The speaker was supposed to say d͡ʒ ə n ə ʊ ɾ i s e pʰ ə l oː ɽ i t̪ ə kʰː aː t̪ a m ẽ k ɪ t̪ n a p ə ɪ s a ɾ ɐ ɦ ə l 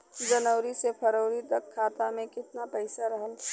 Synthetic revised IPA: d͡ʒ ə n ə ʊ ɾ i s e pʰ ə ɾ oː ɾ i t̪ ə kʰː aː t̪ a m ẽ k ɪ t̪ n a p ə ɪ s a ɾ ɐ ɦ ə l